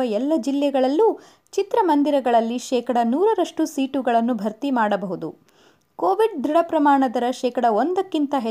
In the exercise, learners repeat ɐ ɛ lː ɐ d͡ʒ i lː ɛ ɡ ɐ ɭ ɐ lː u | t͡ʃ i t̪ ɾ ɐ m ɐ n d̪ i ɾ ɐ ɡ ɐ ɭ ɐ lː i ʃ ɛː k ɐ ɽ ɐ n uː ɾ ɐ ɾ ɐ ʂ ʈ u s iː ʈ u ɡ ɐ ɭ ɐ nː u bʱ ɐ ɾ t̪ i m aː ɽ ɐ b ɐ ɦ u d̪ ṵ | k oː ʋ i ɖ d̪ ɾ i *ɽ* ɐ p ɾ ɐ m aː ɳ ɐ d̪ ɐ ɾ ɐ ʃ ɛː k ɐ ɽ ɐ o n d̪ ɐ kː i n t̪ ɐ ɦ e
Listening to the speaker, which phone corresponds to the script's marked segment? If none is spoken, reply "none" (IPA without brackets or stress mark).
ɽ